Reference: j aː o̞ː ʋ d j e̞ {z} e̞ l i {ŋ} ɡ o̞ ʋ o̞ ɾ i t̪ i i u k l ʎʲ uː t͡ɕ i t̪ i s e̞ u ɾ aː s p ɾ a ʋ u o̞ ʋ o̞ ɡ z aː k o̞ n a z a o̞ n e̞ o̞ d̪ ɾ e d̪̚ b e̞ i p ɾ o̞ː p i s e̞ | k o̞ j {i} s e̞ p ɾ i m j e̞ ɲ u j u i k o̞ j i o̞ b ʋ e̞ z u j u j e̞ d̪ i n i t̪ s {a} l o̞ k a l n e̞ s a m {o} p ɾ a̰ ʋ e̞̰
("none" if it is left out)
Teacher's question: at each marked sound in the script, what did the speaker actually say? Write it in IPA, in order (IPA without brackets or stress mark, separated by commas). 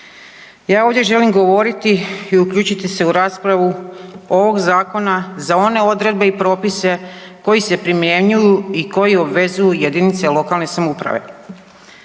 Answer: ʒ, m, i, e, u